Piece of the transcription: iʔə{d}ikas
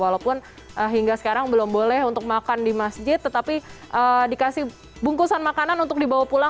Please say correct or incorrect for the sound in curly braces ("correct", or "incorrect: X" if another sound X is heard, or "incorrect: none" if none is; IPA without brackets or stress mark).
correct